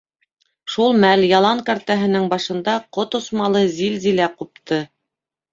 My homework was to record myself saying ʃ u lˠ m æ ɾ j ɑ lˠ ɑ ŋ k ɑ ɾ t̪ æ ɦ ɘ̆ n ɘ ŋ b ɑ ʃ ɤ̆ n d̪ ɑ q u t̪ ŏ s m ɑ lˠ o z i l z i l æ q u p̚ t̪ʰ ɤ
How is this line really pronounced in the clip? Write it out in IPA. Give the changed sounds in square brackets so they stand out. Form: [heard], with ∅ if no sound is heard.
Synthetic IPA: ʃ u lˠ m æ [l] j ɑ lˠ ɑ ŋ k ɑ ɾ t̪ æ ɦ ɘ̆ n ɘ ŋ b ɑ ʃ ɤ̆ n d̪ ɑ q [o] t̪ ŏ s m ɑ lˠ [ɤ] z i l z i l æ q u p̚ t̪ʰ ɤ